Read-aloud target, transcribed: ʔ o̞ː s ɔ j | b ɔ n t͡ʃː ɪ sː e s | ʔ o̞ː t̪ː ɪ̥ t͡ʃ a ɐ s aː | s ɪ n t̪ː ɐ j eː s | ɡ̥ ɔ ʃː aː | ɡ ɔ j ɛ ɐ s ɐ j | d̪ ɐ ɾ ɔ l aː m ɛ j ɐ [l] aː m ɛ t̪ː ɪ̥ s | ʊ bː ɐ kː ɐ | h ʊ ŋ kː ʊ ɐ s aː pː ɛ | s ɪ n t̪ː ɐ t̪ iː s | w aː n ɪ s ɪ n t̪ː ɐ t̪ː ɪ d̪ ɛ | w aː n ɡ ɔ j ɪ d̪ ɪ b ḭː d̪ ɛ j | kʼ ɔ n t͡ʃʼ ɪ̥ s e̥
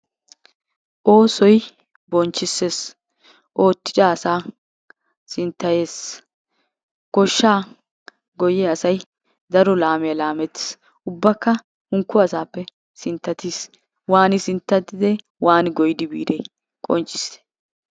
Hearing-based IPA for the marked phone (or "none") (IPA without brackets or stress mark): l